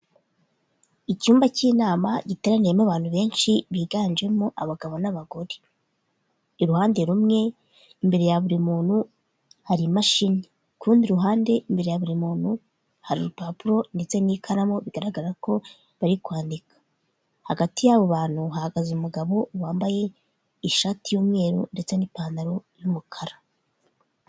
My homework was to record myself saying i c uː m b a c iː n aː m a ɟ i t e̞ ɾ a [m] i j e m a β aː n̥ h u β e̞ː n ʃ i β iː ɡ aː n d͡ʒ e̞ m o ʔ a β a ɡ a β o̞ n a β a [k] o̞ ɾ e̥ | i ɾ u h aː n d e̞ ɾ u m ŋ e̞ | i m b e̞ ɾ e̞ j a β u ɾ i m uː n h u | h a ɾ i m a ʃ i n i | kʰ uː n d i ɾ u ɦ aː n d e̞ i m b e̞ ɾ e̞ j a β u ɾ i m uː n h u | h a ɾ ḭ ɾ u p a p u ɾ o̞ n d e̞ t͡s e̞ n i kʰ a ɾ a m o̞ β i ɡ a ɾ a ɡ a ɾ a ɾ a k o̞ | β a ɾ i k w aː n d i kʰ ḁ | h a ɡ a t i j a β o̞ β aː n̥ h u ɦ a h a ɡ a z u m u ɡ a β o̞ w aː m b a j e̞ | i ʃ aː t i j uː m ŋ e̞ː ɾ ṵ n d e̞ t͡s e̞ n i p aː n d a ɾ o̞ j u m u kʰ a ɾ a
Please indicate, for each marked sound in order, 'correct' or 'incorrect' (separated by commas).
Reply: incorrect, incorrect